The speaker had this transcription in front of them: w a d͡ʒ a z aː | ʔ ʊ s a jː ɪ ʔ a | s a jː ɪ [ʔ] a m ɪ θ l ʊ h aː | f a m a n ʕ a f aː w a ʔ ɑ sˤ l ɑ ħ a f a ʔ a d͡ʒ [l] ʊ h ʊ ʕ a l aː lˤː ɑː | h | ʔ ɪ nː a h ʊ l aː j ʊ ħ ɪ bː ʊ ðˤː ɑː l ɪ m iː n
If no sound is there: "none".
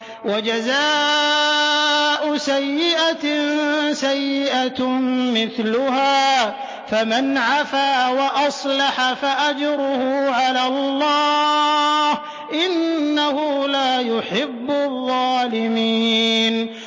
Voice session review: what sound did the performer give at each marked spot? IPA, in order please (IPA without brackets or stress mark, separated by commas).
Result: ʔ, ɾ